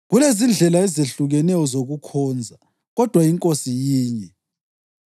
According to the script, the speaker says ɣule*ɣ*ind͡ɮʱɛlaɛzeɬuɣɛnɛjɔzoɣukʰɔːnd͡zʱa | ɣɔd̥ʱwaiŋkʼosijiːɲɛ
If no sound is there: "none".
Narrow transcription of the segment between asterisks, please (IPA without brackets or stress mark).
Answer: z